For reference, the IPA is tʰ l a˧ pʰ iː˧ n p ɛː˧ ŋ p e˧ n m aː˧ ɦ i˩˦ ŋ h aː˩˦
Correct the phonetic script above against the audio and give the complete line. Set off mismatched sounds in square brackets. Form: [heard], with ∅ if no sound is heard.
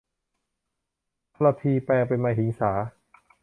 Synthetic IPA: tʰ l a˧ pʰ iː˧ [∅] p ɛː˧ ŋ p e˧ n m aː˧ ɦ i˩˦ ŋ [s] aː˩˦